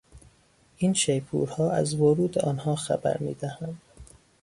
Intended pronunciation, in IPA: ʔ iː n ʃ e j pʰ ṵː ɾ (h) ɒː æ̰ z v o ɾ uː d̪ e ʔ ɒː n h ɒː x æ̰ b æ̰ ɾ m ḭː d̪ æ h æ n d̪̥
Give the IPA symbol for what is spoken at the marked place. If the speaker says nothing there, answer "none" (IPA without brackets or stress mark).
h